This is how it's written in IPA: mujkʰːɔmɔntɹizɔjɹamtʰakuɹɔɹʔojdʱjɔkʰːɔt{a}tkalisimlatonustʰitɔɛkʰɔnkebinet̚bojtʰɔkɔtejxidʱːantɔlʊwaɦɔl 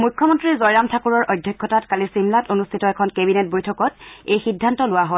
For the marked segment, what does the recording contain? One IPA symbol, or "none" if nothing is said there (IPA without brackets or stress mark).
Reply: a